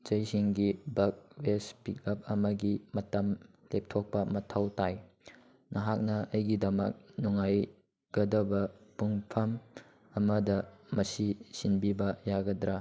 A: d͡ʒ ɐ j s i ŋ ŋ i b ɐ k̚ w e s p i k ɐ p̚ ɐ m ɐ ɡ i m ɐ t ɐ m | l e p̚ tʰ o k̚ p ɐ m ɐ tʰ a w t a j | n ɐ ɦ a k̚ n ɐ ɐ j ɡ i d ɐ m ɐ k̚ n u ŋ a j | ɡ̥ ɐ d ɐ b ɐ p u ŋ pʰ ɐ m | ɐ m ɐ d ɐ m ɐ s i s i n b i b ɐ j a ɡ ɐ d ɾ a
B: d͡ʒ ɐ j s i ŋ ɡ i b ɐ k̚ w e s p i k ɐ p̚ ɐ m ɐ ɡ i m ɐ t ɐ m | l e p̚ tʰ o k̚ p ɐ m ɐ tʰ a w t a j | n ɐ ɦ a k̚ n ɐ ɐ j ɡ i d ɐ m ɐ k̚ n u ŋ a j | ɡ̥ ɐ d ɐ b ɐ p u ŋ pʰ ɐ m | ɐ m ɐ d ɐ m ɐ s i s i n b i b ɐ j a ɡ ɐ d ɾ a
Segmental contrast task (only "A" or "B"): B